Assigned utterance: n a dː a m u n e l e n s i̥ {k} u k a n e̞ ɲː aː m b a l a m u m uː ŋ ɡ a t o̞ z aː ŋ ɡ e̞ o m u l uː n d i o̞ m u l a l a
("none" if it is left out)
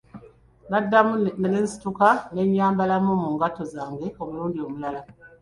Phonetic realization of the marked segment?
t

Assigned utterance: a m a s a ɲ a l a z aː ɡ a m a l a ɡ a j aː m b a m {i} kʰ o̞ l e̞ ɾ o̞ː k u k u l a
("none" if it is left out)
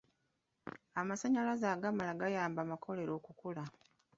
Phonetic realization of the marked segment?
a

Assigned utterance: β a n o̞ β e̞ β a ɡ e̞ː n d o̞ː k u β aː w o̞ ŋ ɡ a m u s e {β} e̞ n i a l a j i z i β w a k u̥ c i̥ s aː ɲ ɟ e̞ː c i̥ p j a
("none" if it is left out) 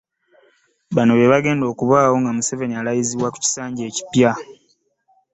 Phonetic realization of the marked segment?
v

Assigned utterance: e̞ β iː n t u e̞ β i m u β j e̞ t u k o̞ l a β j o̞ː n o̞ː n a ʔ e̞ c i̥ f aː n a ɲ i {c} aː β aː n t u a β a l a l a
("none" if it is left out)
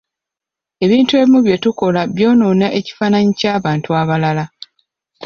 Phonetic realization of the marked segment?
c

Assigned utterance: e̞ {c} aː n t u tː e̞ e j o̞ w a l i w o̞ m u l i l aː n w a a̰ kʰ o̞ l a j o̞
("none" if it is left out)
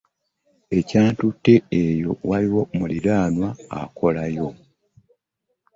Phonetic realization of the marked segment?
c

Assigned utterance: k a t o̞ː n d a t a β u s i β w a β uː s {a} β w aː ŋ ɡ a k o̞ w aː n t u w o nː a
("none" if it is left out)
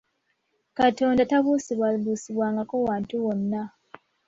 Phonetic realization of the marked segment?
i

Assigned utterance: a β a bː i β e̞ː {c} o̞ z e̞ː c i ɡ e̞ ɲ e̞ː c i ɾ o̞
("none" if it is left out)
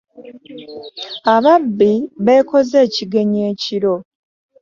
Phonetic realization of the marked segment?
k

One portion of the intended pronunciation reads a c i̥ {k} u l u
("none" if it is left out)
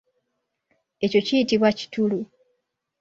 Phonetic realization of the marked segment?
t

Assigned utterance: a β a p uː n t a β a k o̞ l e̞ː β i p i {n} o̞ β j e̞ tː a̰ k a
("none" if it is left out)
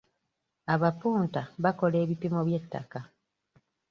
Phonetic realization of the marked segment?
m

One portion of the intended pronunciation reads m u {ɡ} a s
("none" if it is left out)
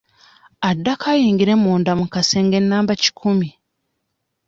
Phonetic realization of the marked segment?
k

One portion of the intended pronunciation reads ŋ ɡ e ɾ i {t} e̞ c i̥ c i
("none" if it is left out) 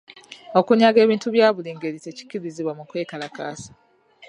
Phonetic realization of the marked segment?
t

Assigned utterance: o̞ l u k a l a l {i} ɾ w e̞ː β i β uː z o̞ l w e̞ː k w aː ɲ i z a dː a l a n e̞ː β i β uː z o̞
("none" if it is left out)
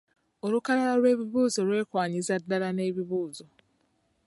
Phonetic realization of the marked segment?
a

